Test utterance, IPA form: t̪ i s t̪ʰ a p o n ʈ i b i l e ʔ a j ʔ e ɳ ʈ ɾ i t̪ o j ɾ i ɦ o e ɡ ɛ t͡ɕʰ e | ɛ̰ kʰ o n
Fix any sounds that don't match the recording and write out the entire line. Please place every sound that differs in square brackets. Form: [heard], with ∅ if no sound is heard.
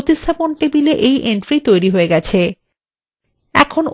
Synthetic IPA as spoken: t̪ i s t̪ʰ a p o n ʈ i b i l e ʔ [e] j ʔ e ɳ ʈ ɾ i t̪ o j ɾ i ɦ o e ɡ ɛ t͡ɕʰ e | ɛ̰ kʰ o n

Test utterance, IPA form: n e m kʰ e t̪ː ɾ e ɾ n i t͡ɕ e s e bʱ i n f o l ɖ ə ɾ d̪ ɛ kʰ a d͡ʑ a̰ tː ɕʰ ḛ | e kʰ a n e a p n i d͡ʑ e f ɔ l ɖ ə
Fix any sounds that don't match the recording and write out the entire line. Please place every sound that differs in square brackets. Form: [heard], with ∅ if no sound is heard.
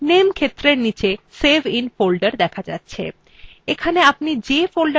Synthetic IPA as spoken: n e m kʰ e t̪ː ɾ e ɾ n i t͡ɕ e s e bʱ i n f o l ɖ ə ɾ d̪ ɛ kʰ a d͡ʑ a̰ tː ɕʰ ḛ | e kʰ a n e a p n i d͡ʑ e f [o] l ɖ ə

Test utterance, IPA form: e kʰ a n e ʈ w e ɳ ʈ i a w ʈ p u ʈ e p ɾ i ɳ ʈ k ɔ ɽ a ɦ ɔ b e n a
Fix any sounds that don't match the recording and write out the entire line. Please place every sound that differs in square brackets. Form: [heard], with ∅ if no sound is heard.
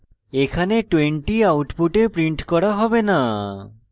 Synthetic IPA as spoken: e kʰ a n e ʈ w e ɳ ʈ i a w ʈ p u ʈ e p ɾ i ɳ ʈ k ɔ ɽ a ɦ ɔ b e n a

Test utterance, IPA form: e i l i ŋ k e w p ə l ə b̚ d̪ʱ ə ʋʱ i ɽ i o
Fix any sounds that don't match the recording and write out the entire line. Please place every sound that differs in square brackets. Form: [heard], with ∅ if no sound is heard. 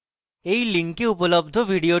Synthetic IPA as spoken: e i l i ŋ k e [u] p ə l ə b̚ d̪ʱ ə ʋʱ i ɽ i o

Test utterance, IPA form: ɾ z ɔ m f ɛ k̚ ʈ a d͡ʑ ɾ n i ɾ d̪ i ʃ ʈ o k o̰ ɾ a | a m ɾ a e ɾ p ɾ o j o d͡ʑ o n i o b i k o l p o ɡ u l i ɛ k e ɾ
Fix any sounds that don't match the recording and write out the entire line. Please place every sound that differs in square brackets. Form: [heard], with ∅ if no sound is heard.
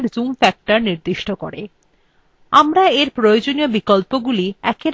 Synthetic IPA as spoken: ɾ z [u] m f ɛ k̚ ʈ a [∅] ɾ n i ɾ d̪ i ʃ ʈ o k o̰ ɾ [e] | a m ɾ a e ɾ p ɾ o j o d͡ʑ o n i o b i k o l p o ɡ u l i ɛ k e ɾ

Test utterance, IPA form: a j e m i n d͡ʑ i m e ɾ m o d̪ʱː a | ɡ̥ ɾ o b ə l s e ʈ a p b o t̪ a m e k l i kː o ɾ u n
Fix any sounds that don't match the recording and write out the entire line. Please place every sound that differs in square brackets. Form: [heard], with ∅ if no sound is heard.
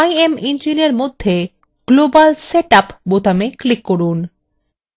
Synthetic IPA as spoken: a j e m i n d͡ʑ i [n] e ɾ m o d̪ʱː [e] | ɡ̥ [l] o b [a] l s e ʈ a p b o t̪ a m e k l i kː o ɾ u n

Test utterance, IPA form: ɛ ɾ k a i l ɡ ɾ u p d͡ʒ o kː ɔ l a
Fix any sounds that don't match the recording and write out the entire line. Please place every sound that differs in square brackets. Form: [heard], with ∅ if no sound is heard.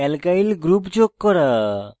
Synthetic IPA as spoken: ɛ [l] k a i l ɡ ɾ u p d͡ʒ o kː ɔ [ɾ] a

